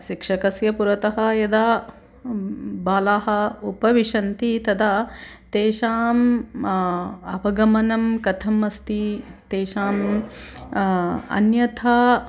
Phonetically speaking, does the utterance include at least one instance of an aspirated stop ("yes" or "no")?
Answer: yes